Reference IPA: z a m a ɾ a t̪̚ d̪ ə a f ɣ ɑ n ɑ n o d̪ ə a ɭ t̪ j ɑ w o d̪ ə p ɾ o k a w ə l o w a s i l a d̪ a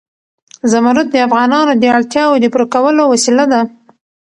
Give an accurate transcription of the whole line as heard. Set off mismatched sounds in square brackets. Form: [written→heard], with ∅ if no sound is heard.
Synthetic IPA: z a m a ɾ a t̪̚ d̪ ə a f ɣ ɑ n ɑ n o d̪ ə a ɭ t̪ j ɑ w o d̪ ə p ɾ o k a w ə l o w a s i l a d̪ a